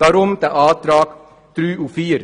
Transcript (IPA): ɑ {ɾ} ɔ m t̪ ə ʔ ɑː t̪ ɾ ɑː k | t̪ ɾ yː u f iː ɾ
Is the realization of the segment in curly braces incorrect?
no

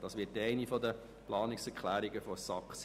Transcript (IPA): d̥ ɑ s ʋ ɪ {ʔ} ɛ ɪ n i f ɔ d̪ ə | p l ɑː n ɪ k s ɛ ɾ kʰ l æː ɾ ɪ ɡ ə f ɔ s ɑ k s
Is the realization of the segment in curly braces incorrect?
yes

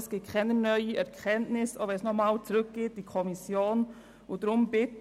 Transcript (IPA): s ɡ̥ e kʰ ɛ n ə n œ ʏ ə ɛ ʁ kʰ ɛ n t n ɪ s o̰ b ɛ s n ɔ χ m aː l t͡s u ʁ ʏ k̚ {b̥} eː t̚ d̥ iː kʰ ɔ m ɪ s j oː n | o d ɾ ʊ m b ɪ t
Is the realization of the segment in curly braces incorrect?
yes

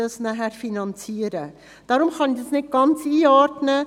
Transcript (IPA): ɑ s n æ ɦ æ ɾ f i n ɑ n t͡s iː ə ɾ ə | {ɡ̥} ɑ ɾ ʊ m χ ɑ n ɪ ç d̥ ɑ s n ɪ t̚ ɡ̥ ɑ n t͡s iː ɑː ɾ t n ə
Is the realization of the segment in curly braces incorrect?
yes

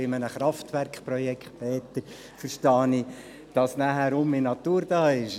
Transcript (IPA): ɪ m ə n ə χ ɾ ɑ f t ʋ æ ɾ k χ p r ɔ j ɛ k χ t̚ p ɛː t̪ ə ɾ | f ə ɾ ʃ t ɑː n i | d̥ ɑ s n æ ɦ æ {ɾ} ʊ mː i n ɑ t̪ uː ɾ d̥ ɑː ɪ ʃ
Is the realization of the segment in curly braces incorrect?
no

